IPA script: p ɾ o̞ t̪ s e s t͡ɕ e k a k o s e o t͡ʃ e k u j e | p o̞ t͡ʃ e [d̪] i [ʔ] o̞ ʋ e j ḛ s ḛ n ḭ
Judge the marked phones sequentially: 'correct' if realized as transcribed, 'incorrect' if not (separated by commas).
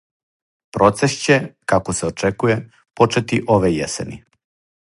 incorrect, correct